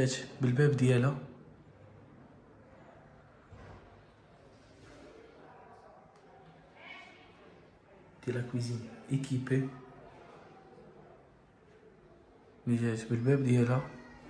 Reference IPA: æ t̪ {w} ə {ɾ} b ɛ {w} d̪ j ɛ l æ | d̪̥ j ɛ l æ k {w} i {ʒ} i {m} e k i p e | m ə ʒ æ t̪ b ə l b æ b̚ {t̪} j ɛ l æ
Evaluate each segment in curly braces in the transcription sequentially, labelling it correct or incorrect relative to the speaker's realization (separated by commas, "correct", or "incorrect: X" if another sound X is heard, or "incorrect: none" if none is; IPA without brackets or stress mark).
incorrect: b, incorrect: l, incorrect: b, correct, incorrect: z, incorrect: n, incorrect: d̪